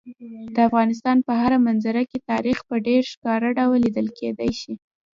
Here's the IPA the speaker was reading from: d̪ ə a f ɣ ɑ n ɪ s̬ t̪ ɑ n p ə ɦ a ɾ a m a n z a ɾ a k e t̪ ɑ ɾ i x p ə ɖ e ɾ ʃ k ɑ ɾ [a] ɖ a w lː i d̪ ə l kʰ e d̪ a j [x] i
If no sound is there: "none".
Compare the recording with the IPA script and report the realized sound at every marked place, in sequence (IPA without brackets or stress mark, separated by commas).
a, ʃ